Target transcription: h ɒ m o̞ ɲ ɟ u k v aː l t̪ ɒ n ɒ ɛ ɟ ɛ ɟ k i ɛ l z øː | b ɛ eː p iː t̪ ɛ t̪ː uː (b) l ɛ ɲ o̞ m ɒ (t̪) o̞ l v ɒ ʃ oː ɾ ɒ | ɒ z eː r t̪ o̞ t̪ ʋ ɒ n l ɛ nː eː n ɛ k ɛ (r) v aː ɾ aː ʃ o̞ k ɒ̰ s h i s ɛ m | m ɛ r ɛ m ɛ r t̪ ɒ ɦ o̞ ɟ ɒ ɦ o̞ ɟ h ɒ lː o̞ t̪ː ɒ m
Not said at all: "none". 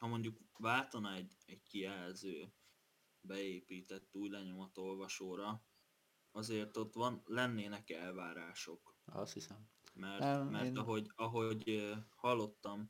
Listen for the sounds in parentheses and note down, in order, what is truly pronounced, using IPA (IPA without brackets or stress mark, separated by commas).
ɟ, t̪, l